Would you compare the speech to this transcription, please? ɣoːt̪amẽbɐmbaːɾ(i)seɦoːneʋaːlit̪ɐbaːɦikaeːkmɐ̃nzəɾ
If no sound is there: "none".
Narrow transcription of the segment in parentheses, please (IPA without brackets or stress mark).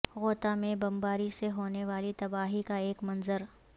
i